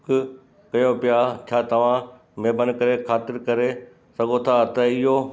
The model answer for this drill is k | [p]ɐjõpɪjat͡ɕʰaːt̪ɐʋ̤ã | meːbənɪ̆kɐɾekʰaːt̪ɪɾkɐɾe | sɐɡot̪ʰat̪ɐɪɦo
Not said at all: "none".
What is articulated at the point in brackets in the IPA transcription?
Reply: k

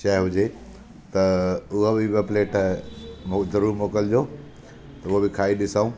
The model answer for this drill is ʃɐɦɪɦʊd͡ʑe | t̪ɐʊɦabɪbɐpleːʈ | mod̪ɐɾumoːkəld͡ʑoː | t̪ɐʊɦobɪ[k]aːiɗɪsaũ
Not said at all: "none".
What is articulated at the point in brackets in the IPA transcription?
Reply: kʰ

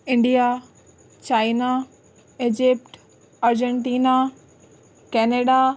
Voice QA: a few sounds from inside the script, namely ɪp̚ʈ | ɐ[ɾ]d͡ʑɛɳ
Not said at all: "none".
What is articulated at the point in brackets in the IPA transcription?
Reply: ɾ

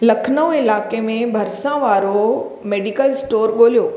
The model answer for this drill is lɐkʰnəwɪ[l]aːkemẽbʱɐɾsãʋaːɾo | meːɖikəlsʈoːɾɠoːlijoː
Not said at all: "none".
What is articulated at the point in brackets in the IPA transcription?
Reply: l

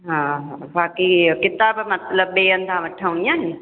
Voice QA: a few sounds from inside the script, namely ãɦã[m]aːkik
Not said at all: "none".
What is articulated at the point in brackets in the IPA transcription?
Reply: b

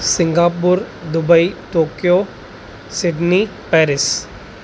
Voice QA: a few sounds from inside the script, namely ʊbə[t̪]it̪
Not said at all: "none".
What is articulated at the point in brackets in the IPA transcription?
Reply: none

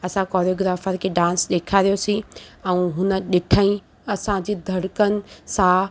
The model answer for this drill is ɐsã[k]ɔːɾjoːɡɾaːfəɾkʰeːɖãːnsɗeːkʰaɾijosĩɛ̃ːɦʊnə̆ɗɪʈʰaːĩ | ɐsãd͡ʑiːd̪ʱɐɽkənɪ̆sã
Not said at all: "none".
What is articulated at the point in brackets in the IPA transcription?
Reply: k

